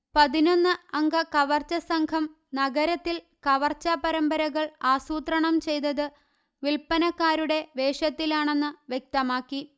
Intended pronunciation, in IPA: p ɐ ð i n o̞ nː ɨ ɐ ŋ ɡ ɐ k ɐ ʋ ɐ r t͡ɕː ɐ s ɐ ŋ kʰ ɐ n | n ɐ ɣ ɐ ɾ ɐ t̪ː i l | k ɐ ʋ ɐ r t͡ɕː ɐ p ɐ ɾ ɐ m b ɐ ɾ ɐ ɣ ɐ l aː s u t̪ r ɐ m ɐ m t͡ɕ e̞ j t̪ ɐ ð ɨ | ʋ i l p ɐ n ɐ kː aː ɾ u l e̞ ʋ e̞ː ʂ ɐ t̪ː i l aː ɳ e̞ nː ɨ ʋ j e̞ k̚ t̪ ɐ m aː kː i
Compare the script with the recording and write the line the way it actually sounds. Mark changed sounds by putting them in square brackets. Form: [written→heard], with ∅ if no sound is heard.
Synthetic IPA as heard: p ɐ ð i n o̞ nː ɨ ɐ ŋ ɡ ɐ k ɐ ʋ ɐ r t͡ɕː ɐ s ɐ ŋ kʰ ɐ [n→m] | n ɐ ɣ ɐ ɾ ɐ t̪ː i l | k ɐ ʋ ɐ r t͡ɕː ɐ p ɐ ɾ ɐ m b ɐ ɾ ɐ ɣ ɐ [l→ɭ] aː s [u→uː] t̪ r ɐ [m→ɳ] ɐ m t͡ɕ e̞ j t̪ ɐ ð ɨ | ʋ i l p ɐ n ɐ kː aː ɾ u [l→ɽ] e̞ ʋ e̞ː ʂ ɐ t̪ː i l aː ɳ e̞ nː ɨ ʋ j e̞ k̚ t̪ ɐ m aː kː i